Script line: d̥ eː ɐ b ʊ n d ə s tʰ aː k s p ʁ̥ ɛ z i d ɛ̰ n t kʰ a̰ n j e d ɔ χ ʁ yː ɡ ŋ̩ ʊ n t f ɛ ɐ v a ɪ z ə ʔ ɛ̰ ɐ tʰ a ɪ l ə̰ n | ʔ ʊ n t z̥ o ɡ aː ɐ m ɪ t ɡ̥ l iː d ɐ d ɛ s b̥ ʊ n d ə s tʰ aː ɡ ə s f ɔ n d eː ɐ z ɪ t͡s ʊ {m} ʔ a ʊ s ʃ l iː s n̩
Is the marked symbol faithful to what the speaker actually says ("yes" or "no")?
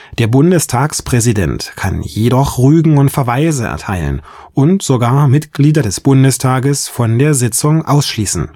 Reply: no